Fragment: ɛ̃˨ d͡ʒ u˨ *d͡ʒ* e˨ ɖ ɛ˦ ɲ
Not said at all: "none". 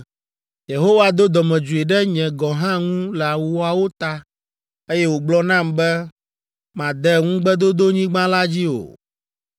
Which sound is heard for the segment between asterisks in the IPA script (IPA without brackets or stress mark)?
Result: none